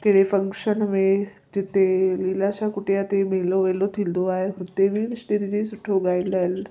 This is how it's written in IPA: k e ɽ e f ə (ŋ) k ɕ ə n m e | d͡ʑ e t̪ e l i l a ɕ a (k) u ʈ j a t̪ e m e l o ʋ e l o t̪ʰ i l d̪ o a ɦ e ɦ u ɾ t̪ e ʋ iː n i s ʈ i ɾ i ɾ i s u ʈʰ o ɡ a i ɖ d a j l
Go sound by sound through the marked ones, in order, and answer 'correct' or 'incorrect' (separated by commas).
correct, correct